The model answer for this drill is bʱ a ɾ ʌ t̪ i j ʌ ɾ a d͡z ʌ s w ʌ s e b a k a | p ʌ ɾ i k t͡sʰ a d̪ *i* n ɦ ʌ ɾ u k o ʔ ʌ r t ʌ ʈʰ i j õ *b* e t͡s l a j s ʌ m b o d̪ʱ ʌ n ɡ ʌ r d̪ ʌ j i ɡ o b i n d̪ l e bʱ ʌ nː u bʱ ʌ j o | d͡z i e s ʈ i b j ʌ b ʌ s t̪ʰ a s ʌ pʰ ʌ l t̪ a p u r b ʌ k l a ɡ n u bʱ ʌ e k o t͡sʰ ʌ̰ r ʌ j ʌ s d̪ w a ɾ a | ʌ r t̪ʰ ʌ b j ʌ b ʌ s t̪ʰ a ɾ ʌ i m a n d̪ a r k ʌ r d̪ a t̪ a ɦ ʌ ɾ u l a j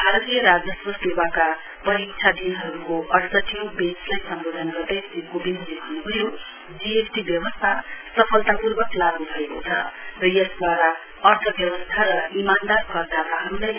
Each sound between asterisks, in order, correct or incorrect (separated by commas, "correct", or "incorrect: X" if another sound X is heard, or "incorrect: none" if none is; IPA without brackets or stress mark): correct, correct